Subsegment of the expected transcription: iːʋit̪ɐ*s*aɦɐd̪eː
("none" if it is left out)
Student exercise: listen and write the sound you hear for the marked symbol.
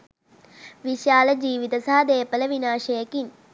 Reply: s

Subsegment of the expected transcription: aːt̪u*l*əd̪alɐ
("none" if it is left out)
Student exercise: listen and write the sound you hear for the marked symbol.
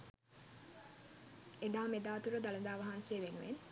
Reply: ɾ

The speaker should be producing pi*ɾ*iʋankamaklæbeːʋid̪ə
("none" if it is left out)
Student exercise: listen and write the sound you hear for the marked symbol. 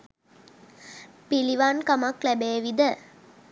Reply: l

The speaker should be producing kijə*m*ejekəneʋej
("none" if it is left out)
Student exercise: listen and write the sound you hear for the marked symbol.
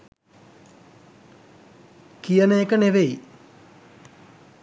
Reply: n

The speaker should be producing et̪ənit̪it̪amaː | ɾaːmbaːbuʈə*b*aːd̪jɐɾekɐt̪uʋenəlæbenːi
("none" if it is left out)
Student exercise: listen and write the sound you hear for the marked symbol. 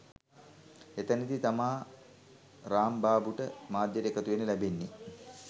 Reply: m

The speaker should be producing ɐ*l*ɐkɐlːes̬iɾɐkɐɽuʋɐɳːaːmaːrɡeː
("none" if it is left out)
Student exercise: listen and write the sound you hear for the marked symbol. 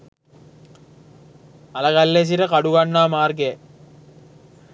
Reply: l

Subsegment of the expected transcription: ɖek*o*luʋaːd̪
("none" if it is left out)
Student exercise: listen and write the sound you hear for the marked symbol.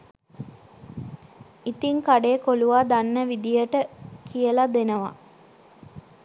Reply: o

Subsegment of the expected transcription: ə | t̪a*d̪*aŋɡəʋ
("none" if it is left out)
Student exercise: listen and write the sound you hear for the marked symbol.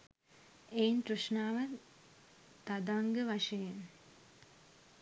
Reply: d̪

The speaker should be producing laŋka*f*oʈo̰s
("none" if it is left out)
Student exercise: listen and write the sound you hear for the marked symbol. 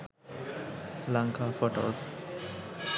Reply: f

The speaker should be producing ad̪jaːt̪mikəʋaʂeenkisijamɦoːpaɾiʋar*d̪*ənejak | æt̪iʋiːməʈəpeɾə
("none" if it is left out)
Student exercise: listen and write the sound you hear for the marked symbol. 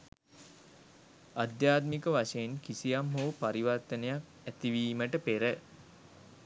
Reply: t̪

